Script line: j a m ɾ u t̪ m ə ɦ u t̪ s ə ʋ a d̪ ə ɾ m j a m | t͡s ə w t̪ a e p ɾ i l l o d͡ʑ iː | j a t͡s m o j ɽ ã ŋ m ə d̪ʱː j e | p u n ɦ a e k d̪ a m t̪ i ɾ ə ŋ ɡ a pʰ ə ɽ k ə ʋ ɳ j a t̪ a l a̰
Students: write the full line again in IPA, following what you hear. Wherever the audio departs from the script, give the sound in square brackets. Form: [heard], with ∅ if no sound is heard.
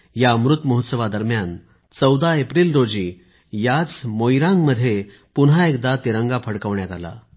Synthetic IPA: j a m ɾ u t̪ m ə ɦ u t̪ s ə ʋ a d̪ ə ɾ m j a [n] | t͡s ə w [d̪] a e p ɾ i l [ɾ] o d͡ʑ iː | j a t͡s m o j [ɾ] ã ŋ m ə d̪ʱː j e | p u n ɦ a e k d̪ a [∅] t̪ i ɾ ə ŋ ɡ a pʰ ə ɽ k ə ʋ ɳ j a t̪ a l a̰